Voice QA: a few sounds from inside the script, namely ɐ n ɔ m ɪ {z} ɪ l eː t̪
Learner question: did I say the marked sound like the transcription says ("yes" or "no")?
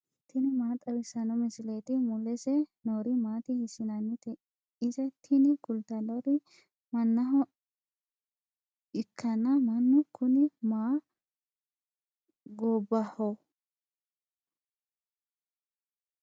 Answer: no